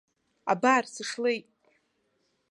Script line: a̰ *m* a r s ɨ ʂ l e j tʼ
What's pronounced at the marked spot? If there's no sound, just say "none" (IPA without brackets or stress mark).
b